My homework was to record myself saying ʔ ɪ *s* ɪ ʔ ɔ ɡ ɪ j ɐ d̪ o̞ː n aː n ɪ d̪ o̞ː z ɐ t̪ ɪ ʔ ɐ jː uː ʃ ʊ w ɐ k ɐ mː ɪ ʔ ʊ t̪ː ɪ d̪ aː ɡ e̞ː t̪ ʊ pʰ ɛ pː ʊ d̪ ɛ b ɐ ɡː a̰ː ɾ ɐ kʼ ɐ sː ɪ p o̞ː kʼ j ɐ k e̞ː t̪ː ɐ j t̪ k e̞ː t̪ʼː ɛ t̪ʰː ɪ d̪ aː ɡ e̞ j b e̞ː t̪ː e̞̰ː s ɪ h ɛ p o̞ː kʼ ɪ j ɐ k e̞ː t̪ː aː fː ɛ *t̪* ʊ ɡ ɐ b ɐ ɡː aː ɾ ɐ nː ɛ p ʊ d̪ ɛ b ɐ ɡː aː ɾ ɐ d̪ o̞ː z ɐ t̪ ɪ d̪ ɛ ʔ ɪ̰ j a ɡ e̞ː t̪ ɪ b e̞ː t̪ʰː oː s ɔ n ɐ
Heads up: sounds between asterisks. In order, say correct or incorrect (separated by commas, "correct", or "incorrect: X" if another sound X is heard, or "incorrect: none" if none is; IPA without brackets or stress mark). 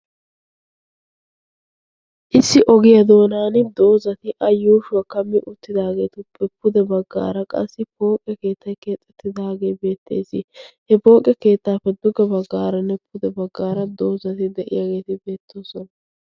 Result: incorrect: sː, incorrect: d̪